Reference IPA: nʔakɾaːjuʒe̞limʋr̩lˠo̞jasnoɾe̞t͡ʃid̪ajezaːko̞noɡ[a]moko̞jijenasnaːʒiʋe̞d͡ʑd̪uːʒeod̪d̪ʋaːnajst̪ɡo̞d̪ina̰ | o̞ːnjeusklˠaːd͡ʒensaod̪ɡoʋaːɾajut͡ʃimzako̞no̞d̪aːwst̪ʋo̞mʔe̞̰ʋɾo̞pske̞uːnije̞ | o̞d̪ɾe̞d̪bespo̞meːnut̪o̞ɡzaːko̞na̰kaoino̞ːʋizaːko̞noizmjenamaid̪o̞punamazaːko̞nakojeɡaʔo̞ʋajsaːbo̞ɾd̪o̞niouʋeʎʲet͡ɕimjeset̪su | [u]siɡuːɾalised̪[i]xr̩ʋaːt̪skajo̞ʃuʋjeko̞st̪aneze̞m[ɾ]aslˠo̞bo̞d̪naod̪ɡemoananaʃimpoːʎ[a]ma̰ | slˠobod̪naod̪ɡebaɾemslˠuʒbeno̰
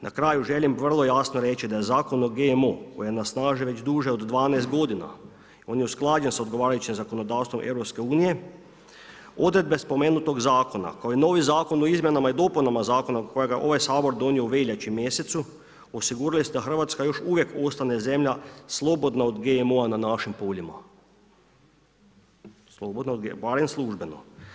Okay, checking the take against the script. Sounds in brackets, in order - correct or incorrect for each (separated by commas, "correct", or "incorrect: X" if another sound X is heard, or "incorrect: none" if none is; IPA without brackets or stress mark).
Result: incorrect: e, incorrect: o, incorrect: a, incorrect: ʎ, incorrect: i